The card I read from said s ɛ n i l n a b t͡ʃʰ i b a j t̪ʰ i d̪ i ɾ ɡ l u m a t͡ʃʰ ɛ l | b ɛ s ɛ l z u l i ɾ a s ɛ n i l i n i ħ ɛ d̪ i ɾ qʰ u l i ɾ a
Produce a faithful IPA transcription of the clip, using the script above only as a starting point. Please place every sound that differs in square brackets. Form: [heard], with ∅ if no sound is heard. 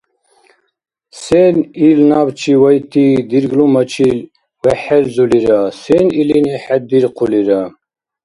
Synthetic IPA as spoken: s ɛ n i l n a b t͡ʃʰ i [w] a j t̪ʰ i d̪ i ɾ ɡ l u m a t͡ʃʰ [i] l | [w] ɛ [ħ] ɛ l z u l i ɾ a s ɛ n i l i n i ħ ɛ d̪ i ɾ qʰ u l i ɾ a